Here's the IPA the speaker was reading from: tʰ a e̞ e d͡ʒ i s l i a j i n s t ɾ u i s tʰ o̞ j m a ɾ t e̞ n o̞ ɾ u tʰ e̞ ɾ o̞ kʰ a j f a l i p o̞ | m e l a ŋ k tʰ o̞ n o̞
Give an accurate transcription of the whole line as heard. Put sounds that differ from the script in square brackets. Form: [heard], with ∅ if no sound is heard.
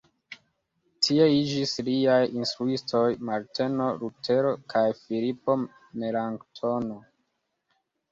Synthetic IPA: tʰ [i] e̞ [i] d͡ʒ i s l i a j i n s t ɾ u i s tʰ o̞ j m a ɾ t e̞ n o̞ ɾ u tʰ e̞ ɾ o̞ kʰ a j f [i] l i p o̞ | m e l a ŋ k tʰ o̞ n o̞